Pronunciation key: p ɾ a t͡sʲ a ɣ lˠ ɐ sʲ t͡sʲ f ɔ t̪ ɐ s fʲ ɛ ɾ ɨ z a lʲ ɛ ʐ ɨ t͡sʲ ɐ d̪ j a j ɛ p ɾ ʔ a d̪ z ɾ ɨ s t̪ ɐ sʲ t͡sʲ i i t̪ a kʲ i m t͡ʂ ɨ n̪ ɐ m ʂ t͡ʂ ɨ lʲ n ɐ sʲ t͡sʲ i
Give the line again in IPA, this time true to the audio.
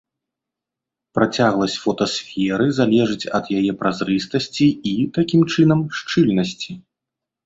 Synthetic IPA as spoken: p ɾ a t͡sʲ a ɣ lˠ ɐ sʲ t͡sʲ f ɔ t̪ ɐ s fʲ ɛ ɾ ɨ z a lʲ ɛ ʐ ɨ t͡sʲ ɐ d̪ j a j ɛ p ɾ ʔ a z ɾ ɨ s t̪ ɐ sʲ t͡sʲ i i t̪ a kʲ i m t͡ʂ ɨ n̪ ɐ m ʂ t͡ʂ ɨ lʲ n ɐ sʲ t͡sʲ i

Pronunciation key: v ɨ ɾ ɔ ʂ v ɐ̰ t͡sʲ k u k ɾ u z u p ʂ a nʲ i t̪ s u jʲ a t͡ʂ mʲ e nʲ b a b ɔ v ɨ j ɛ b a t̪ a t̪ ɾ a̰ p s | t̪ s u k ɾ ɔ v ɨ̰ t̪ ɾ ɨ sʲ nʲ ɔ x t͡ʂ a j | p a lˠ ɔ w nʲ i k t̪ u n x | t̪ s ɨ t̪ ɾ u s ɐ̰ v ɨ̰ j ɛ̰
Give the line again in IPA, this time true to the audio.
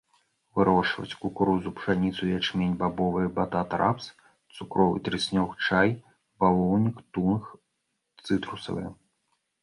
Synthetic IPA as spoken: v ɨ ɾ ɔ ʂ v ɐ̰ t͡sʲ k u k ɾ u z u p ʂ a nʲ i t̪ s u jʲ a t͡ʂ mʲ e nʲ b a b ɔ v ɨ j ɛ b a t̪ a t̪ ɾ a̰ p s | t̪ s u k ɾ ɔ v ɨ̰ t̪ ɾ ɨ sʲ nʲ ɔ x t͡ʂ a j | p a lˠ ɔ w nʲ i k t̪ u n x | t̪ s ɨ t̪ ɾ u s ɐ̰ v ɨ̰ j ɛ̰

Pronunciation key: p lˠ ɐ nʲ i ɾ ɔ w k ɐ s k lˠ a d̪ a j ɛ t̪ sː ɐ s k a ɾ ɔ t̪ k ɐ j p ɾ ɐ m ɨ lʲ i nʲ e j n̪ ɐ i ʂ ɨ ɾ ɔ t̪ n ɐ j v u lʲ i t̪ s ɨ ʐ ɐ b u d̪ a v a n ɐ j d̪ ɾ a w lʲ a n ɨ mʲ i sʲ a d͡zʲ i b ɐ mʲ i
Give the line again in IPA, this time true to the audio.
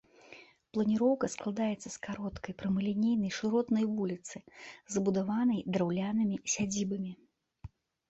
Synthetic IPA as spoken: p lˠ ɐ nʲ i ɾ ɔ w k ɐ s k lˠ a d̪ a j ɛ t̪ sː ɐ s k a ɾ ɔ t̪ k ɐ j p ɾ ɐ m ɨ lʲ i nʲ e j n̪ ɐ j ʂ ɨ ɾ ɔ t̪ n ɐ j v u lʲ i t̪ s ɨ z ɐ b u d̪ a v a n ɐ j d̪ ɾ a w lʲ a n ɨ mʲ i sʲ a d͡zʲ i b ɐ mʲ i

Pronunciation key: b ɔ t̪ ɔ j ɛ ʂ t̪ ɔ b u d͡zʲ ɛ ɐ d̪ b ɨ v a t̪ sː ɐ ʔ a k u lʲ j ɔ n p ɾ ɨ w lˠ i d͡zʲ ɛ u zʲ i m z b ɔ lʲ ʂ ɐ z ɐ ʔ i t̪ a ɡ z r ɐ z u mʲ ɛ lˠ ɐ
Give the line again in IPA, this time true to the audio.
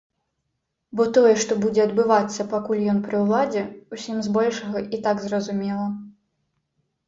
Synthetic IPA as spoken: b ɔ t̪ ɔ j ɛ ʂ t̪ ɔ b u d͡zʲ ɛ ɐ d̪ b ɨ v a t̪ sː ɐ p a k u lʲ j ɔ n p ɾ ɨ w lˠ a d͡zʲ ɛ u sʲ i m z b ɔ lʲ ʂ ɐ ɣ ɐ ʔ i t̪ a ɡ z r ɐ z u mʲ ɛ lˠ ɐ

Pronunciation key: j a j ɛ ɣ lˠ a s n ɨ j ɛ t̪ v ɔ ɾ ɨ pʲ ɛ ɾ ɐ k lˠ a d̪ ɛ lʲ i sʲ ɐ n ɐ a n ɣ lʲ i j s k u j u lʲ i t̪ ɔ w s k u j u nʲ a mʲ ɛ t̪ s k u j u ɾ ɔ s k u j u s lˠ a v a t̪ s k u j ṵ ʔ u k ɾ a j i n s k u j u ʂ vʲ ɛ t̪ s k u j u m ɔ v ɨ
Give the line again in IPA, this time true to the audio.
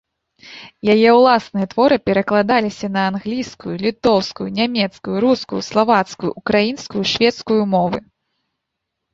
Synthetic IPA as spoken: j a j ɛ w lˠ a s n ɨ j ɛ t̪ v ɔ ɾ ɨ pʲ ɛ ɾ ɐ k lˠ a d̪ a lʲ i sʲ ɐ n ɐ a n ɣ lʲ i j s k u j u lʲ i t̪ ɔ w s k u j u nʲ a mʲ ɛ t̪ s k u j u ɾ u s k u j u s lˠ a v a t̪ s k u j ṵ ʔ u k ɾ a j i n s k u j u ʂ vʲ ɛ t̪ s k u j u m ɔ v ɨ

